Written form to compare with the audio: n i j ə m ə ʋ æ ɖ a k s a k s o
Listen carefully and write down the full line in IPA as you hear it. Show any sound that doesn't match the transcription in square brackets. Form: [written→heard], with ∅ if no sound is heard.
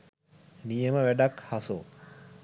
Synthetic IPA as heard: n i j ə m ə ʋ æ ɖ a k [s→h] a [k→∅] s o